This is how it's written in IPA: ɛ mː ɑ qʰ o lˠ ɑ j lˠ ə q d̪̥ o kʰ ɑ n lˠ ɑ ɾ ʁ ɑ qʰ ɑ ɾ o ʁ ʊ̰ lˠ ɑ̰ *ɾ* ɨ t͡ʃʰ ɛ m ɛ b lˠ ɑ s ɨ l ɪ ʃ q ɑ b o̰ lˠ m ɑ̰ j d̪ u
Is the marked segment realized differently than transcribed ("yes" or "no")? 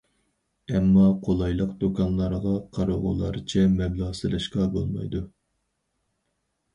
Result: no